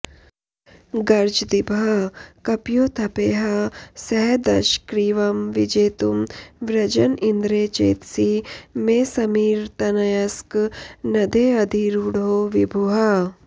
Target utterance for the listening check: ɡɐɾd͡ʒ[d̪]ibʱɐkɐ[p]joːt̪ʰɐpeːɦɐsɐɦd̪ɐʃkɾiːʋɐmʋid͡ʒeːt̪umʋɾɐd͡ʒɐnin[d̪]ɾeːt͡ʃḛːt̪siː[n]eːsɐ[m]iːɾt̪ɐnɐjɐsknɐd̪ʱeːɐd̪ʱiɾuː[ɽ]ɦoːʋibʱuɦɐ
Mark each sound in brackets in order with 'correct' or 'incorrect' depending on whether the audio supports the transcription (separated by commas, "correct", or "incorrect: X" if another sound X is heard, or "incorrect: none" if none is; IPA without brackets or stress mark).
correct, correct, correct, incorrect: m, correct, correct